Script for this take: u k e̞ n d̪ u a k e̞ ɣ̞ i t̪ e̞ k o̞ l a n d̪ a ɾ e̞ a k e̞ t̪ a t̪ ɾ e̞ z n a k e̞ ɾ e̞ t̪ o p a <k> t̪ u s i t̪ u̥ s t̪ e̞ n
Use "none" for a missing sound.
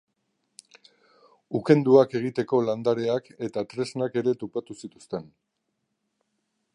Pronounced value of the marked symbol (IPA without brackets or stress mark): none